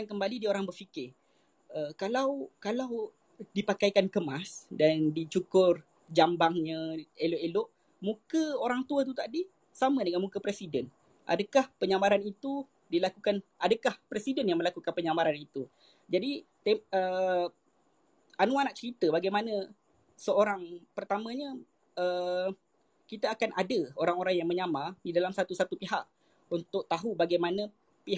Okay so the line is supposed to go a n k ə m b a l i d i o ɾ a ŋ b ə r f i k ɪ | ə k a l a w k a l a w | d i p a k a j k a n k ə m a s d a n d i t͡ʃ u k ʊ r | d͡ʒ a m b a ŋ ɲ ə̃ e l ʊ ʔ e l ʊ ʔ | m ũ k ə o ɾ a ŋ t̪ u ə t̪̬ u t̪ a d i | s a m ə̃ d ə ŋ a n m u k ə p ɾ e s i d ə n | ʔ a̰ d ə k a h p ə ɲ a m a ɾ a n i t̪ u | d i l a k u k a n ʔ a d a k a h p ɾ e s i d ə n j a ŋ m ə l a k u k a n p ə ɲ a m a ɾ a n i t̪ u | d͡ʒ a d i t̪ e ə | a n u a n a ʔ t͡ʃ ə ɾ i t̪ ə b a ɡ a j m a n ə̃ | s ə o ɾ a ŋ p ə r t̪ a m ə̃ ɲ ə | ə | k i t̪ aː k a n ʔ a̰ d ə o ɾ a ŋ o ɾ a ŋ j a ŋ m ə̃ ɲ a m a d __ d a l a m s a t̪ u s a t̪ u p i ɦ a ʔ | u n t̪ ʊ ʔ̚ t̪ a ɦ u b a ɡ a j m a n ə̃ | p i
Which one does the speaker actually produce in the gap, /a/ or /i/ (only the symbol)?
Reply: i